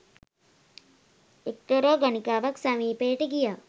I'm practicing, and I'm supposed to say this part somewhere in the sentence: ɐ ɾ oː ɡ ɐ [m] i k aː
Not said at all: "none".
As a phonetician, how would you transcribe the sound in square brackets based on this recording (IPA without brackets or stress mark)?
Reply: n